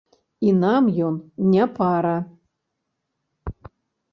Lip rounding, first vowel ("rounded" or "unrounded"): unrounded